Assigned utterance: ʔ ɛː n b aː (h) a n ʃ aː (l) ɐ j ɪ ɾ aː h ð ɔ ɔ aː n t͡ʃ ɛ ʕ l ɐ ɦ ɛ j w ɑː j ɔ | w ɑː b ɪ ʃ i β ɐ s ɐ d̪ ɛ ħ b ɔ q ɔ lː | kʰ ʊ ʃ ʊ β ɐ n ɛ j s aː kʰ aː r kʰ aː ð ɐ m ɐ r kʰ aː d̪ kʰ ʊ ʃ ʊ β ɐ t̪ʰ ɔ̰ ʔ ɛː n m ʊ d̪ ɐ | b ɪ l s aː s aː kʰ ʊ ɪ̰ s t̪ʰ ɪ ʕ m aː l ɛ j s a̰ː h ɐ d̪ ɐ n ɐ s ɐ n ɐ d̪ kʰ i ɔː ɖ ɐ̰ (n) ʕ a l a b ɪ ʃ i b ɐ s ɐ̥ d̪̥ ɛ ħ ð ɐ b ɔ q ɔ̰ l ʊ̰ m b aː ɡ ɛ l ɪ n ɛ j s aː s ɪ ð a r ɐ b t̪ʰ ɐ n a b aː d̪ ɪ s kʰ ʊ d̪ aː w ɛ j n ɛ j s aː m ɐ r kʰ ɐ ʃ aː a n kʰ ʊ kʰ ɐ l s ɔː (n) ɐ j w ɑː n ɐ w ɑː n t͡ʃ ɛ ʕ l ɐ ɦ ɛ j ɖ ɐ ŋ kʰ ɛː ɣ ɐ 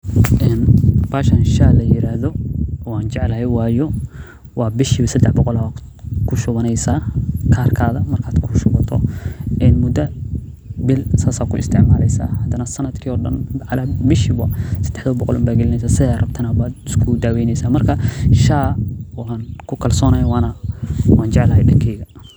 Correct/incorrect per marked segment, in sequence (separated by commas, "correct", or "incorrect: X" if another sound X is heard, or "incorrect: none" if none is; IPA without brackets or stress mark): incorrect: ʃ, correct, correct, correct